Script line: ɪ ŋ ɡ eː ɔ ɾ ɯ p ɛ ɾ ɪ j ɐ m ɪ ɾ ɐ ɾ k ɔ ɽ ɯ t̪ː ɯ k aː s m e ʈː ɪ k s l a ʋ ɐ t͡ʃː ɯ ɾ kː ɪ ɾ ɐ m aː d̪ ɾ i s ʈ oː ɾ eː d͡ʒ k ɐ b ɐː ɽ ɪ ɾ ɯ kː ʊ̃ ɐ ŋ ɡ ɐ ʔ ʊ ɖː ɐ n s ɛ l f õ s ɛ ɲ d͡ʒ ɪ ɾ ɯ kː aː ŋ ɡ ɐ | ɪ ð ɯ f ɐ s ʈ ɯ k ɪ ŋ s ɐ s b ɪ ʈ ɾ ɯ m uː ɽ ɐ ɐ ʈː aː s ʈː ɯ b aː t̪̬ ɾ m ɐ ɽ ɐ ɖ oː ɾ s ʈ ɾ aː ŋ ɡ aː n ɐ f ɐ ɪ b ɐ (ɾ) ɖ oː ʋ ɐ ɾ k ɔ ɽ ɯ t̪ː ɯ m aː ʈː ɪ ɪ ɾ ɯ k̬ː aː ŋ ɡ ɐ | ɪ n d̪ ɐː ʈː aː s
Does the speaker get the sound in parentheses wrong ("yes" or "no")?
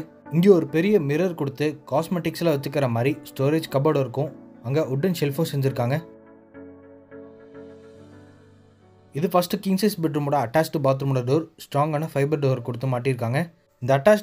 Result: no